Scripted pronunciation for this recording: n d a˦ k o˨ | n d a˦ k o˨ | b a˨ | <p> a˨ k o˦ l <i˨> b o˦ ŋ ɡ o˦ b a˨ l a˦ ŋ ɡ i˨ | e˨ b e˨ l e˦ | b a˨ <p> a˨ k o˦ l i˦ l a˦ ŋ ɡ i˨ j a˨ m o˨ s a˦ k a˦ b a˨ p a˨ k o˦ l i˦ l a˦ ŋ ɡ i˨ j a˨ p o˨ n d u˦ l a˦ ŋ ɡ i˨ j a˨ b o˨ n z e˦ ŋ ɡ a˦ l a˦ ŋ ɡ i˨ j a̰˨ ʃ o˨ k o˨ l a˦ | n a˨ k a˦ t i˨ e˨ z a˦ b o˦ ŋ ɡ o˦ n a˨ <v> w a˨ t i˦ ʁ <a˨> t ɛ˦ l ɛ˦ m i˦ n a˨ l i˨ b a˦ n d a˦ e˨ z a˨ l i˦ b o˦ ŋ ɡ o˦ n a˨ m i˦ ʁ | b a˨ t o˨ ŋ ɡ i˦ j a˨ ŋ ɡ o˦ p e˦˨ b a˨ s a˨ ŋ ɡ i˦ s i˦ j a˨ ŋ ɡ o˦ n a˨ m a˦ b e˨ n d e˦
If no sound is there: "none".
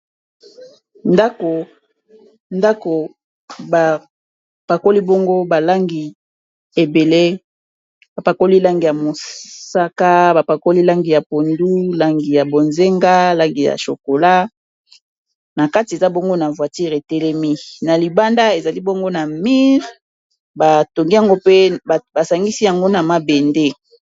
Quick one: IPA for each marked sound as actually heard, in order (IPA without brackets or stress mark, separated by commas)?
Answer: p, i˦, p, v, e˨